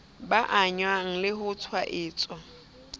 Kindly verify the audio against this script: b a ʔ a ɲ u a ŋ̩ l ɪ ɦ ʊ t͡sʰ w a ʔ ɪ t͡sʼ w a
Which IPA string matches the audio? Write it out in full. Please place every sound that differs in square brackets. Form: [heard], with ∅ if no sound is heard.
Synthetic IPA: b a ʔ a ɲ [w] a ŋ̩ l ɪ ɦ ʊ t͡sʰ w a ʔ [ɪː] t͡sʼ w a